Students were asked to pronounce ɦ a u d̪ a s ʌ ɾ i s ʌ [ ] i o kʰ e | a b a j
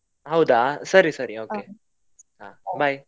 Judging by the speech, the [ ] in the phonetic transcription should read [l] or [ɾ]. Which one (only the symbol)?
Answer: ɾ